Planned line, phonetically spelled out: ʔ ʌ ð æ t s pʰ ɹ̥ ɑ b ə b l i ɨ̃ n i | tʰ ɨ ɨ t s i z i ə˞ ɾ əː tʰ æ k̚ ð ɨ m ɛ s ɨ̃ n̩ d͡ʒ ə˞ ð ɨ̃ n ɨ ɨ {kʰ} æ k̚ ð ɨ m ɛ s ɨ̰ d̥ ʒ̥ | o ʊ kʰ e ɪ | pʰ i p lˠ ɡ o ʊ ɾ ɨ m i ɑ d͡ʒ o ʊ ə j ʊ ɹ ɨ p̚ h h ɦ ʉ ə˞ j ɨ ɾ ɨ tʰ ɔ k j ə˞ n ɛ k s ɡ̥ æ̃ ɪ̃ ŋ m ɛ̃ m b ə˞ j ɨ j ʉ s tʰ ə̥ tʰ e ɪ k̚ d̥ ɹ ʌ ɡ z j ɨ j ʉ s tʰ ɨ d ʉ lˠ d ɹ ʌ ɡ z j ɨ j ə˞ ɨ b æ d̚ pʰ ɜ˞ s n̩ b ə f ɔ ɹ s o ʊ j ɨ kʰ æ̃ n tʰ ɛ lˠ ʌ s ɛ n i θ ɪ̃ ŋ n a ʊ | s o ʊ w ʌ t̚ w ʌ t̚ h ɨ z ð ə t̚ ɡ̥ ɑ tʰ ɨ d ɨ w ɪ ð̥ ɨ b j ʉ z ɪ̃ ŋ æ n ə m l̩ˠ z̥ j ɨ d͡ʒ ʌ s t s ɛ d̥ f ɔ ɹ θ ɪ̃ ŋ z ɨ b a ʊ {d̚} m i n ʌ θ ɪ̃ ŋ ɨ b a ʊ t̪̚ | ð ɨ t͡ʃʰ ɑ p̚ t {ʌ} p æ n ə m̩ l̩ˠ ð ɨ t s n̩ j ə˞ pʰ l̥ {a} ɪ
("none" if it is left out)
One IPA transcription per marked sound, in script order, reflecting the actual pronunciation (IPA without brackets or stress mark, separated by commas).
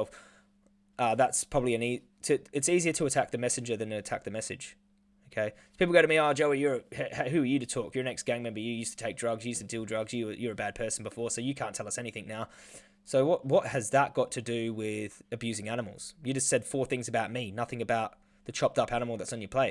tʰ, t̚, ʌ, e